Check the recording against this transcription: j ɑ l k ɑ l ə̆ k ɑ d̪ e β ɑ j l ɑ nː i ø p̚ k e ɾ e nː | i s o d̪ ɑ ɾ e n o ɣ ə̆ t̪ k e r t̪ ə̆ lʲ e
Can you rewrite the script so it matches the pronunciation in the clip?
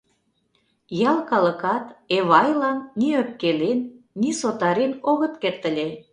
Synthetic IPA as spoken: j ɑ l k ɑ l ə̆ k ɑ t̪ e β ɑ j l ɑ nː i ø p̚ k e l e nː | i s o t̪ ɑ ɾ e n o ɣ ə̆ t̪ k e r t̪ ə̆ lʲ e